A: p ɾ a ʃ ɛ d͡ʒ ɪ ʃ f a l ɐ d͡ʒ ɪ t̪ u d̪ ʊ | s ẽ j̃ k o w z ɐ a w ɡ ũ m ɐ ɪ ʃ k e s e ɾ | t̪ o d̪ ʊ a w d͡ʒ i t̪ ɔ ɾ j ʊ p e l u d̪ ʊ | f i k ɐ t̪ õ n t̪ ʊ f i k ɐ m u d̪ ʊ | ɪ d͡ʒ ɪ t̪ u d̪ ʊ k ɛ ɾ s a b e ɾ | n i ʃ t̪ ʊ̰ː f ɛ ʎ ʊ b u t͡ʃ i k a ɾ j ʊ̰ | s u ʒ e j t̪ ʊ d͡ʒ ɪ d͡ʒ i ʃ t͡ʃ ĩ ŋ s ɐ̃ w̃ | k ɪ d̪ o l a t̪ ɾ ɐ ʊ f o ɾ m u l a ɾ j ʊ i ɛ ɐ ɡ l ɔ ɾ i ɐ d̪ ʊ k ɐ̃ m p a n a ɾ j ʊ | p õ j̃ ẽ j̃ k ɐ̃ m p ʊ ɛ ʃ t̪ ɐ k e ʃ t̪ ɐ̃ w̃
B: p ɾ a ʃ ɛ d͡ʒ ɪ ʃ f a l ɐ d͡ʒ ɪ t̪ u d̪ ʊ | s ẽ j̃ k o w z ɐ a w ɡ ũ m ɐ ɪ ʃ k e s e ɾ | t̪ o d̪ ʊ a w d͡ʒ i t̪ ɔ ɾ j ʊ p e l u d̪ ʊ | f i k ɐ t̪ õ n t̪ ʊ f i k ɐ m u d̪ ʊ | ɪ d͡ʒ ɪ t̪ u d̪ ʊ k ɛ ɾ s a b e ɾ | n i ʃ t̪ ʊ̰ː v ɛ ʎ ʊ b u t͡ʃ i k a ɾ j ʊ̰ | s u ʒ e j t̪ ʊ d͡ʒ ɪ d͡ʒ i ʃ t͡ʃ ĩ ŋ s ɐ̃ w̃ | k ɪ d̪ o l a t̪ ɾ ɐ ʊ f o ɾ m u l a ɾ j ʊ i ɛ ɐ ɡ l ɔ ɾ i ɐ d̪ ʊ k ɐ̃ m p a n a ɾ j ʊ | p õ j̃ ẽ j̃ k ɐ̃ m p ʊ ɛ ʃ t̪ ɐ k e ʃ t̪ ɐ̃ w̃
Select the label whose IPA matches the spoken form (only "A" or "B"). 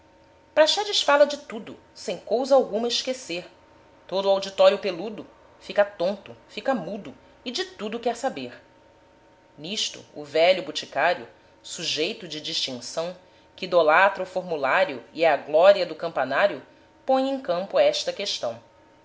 B